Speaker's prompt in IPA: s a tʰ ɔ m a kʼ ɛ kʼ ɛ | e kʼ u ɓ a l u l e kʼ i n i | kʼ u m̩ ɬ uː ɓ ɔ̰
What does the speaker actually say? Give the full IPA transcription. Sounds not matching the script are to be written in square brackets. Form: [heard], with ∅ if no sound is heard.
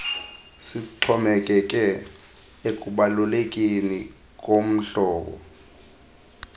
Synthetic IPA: s [i] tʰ ɔ m [ɛ] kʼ ɛ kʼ ɛ | e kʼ u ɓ a l u l e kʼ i n i | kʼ [o] m̩ ɬ [ɔː] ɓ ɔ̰